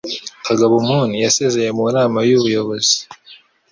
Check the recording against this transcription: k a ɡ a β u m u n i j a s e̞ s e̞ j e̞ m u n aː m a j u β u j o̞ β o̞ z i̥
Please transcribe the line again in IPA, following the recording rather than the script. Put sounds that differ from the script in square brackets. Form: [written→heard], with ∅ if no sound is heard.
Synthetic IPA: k a ɡ a β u m u n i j a s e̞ [s→z] e̞ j e̞ m u n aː m a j u β u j o̞ β o̞ z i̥